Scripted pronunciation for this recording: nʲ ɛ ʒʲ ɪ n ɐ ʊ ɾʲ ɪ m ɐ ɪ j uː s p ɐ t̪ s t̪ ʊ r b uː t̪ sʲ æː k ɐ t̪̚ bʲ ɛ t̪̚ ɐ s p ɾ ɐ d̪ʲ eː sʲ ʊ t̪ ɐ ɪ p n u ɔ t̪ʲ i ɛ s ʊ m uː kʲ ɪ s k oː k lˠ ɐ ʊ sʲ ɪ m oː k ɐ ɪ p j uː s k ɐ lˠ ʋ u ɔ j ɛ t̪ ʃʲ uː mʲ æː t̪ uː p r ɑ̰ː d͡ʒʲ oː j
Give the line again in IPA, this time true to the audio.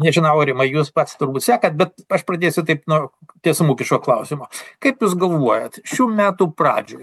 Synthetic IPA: nʲ ɛ ʒʲ ɪ n ɐ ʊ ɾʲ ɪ m ɐ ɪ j uː s p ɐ t̪ s t̪ ʊ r b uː t̪ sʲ æː k ɐ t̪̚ bʲ ɛ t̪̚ ɐ ʃ p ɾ ɐ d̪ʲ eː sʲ ʊ t̪ ɐ ɪ p n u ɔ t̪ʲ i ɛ s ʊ m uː kʲ ɪ ʃ k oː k lˠ ɐ ʊ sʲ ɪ m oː k ɐ ɪ p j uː s ɡ ɐ lˠ ʋ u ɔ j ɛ t̪ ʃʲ uː mʲ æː t̪ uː p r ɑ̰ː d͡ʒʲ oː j